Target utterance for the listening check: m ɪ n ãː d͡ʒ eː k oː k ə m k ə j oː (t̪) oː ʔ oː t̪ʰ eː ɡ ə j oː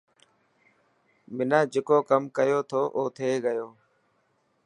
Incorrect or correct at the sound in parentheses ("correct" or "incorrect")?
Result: incorrect